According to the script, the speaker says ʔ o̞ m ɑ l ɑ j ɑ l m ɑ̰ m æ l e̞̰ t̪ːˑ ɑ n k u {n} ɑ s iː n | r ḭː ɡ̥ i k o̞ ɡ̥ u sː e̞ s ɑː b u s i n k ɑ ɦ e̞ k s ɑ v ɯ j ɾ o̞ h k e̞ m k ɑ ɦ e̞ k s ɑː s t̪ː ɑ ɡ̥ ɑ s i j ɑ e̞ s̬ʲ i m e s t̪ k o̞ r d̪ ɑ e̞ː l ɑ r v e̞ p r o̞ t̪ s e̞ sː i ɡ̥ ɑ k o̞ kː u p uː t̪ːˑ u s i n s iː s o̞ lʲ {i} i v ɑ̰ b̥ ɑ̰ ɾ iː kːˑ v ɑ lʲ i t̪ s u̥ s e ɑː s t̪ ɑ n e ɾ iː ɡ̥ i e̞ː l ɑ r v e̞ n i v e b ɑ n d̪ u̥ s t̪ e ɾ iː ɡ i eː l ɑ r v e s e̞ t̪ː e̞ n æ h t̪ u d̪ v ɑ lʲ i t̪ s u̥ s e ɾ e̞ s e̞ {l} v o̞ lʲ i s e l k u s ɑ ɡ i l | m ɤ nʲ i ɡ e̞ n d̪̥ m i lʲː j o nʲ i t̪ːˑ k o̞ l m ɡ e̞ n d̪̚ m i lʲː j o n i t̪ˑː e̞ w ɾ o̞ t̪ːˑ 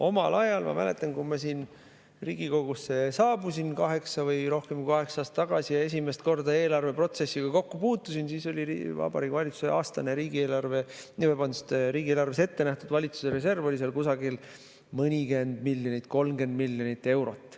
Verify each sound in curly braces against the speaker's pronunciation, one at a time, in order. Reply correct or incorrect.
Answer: incorrect: m, correct, incorrect: r

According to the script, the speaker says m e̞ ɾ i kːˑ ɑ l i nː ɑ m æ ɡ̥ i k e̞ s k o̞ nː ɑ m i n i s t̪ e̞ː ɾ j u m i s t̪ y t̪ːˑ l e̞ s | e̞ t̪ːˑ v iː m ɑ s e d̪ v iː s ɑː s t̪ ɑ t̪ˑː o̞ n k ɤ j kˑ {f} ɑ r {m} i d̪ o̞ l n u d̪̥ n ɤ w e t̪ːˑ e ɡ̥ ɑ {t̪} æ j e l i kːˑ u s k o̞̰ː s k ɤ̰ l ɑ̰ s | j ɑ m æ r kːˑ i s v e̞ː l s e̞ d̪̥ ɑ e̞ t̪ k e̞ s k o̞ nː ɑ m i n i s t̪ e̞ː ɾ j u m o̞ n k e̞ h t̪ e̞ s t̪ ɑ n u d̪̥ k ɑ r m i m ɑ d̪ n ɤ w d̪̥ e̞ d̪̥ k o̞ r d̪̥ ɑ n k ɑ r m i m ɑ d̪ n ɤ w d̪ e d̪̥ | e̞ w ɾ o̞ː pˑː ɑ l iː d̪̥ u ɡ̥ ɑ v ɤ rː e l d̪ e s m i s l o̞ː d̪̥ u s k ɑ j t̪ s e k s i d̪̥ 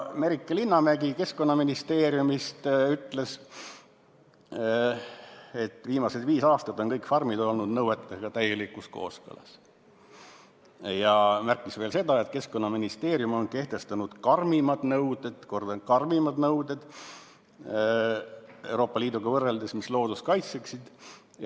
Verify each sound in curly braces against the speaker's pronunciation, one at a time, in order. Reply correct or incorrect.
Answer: correct, correct, correct

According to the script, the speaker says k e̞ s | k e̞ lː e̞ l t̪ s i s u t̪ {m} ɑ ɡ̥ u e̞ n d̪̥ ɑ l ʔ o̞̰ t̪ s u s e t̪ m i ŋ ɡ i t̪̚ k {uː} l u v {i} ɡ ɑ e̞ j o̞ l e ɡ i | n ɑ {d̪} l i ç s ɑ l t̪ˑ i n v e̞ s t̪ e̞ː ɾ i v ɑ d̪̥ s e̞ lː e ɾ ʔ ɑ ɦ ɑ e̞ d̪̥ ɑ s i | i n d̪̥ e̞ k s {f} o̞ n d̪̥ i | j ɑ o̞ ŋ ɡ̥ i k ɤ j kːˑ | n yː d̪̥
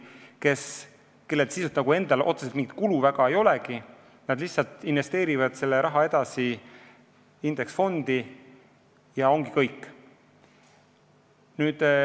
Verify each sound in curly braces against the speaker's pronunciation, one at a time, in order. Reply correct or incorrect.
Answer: incorrect: n, incorrect: u, incorrect: æ, correct, correct

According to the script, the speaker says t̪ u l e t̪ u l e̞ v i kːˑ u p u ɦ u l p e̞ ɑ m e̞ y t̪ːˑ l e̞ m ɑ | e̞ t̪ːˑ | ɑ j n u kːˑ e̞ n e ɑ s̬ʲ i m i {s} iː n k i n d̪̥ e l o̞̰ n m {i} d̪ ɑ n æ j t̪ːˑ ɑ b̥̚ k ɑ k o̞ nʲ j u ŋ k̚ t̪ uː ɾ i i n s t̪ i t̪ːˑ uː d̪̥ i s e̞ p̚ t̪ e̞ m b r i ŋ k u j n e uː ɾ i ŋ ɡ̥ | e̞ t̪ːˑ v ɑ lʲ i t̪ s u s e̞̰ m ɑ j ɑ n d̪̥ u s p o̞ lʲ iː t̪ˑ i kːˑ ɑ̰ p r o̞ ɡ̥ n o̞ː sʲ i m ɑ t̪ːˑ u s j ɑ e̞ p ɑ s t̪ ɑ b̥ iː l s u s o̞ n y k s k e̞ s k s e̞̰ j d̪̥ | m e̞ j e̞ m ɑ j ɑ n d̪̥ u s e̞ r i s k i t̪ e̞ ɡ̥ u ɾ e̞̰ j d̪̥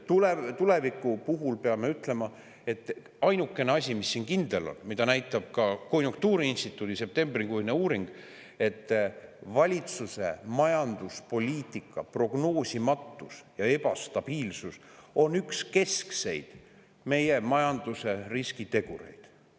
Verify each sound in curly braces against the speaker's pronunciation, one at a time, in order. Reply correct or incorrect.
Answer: incorrect: sː, correct

